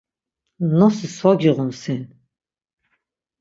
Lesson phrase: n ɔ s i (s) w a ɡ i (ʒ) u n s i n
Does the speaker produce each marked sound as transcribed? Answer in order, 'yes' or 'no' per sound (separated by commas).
yes, no